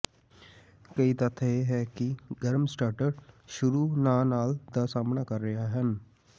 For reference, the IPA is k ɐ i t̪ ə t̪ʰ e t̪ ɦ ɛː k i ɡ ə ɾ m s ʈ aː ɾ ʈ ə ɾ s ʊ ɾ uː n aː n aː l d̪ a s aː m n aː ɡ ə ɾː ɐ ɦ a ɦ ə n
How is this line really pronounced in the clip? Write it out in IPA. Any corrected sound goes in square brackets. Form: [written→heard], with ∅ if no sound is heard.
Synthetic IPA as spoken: k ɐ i t̪ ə t̪ʰ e [t̪→∅] ɦ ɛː k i ɡ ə ɾ m s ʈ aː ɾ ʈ ə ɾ [s→ʃ] ʊ ɾ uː n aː n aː l d̪ a s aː m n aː [ɡ→k] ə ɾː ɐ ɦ a ɦ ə n